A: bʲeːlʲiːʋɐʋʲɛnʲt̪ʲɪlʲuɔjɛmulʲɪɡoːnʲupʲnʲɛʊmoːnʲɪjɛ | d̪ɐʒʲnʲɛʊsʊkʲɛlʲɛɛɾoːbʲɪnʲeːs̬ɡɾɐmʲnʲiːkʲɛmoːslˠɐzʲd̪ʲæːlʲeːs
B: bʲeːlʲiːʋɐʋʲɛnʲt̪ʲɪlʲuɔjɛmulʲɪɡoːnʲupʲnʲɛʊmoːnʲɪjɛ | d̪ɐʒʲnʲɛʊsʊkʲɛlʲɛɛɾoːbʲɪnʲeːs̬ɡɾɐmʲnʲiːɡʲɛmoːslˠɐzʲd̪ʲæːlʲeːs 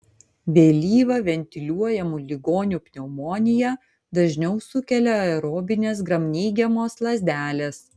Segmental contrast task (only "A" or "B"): B